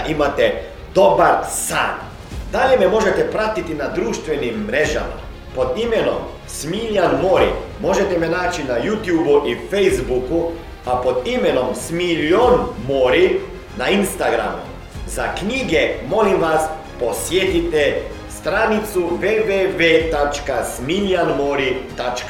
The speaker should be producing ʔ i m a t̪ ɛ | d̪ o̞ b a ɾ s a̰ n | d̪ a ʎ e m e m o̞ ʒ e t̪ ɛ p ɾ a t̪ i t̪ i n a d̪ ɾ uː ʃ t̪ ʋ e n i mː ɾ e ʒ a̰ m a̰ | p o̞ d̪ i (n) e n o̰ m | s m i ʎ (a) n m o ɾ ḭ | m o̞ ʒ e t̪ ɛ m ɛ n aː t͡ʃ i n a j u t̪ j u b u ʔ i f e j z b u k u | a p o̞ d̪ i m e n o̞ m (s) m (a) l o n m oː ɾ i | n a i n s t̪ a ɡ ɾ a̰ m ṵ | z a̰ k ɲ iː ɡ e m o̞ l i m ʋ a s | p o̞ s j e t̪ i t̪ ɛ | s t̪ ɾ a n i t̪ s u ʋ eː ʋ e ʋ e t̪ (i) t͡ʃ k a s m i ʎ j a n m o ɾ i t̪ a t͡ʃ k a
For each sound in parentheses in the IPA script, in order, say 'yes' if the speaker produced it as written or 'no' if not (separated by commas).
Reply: no, yes, yes, no, no